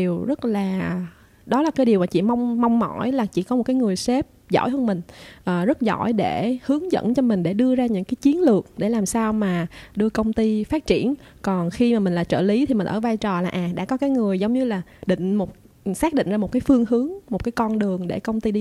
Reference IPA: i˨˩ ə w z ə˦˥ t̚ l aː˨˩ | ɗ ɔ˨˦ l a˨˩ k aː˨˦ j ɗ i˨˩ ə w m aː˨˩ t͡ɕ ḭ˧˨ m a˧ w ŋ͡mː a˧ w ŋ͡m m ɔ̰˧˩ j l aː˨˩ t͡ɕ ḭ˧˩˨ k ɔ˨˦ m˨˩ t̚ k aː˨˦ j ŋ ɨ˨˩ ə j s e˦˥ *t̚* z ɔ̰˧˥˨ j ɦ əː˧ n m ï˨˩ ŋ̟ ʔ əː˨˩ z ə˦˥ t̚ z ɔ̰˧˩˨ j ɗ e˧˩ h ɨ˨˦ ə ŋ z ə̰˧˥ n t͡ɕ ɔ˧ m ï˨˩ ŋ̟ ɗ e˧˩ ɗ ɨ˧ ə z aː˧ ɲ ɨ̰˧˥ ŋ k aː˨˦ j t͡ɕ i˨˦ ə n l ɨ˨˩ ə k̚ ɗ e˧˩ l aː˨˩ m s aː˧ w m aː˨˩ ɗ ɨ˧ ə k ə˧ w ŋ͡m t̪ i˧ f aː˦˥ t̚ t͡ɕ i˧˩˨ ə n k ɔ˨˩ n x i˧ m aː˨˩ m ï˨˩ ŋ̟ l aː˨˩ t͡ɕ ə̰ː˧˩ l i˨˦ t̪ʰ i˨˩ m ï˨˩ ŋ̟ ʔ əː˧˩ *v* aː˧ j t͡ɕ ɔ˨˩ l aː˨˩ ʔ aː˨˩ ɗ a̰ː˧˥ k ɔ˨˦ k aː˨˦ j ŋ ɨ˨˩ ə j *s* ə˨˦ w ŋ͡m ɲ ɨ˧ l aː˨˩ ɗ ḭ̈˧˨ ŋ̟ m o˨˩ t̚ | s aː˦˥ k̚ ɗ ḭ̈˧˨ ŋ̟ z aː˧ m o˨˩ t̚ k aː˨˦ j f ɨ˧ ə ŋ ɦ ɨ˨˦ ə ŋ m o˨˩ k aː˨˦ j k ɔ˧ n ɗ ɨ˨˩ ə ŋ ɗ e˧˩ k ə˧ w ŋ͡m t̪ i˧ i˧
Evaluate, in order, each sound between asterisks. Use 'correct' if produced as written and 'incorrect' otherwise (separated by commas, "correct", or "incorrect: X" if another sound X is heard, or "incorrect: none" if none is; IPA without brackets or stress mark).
incorrect: p̚, correct, incorrect: z